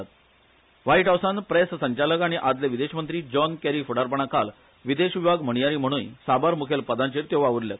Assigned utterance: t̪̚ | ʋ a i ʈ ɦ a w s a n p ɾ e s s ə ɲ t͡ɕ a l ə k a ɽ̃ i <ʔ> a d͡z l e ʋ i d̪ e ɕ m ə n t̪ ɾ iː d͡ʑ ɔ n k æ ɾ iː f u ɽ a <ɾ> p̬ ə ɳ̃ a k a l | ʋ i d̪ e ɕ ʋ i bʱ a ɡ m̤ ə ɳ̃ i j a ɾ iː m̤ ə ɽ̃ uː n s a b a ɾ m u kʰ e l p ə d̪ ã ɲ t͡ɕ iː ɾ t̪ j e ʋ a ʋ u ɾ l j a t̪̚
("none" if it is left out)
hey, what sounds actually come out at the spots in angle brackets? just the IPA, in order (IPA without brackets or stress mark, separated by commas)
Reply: ʔ, ɾ